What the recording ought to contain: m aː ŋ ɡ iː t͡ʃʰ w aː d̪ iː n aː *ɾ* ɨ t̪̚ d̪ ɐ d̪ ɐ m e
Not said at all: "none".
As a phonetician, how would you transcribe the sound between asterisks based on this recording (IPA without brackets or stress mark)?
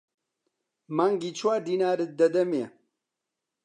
ɾ